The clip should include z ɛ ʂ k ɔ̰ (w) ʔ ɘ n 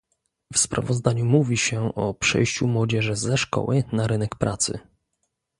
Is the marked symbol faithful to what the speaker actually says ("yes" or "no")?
yes